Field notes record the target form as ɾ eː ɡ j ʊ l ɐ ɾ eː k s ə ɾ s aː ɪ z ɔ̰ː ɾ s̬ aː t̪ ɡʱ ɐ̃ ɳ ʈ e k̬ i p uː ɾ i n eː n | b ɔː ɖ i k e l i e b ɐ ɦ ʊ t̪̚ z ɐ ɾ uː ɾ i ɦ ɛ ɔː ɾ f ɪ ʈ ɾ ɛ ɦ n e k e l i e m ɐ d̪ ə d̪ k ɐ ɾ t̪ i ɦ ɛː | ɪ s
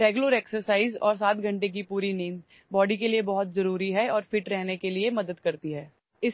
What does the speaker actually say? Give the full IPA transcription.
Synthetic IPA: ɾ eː ɡ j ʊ l ə ɾ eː k s ə ɾ s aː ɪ z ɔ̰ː ɾ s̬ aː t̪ ɡʱ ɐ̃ ɳ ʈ e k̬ i p uː ɾ i n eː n | b ɔː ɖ i k e l i e b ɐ ɦ ʊ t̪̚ z ɐ ɾ uː ɾ i ɦ ɛ ɔː ɾ f ɪ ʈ ɾ ɛ ɦ n e k e l i e m ɐ d̪ ə d̪ k ɐ ɾ t̪ i ɦ ɛː | ɪ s